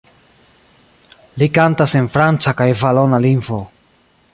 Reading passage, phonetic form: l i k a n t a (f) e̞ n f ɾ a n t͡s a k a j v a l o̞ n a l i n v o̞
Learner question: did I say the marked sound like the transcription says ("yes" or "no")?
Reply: no